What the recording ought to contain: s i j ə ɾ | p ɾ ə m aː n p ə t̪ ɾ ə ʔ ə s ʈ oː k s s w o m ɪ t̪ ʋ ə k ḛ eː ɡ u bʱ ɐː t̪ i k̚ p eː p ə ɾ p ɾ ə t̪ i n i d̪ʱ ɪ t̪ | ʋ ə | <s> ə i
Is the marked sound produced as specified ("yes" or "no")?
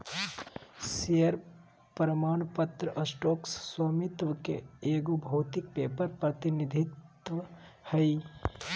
no